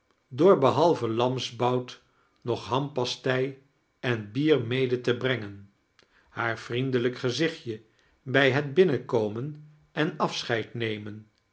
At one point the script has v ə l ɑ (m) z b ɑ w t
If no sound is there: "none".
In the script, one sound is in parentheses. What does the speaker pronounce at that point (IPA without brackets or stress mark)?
m